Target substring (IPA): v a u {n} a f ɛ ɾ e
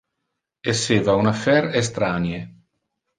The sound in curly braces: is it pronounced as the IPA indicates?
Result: yes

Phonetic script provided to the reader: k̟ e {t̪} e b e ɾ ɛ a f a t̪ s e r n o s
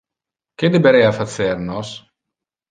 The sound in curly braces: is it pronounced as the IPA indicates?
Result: no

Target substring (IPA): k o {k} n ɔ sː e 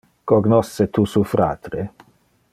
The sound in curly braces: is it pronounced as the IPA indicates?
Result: no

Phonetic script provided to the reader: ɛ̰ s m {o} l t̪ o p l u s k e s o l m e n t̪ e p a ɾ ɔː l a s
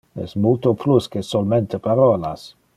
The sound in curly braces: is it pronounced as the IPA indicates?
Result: no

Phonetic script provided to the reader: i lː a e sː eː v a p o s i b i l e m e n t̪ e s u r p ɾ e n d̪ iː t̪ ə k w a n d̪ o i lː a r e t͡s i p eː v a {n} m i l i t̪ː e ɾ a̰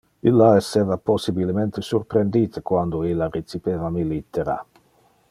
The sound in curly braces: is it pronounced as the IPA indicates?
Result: no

